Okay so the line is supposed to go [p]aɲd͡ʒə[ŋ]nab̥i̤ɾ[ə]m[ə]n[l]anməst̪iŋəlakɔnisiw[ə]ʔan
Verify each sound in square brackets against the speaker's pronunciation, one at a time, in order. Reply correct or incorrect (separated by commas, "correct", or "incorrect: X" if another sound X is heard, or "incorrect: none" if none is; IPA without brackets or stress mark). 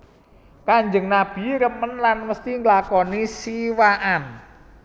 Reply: incorrect: k, correct, correct, correct, correct, incorrect: a